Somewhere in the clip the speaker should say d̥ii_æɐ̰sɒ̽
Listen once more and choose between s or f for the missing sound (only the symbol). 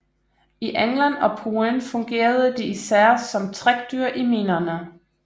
s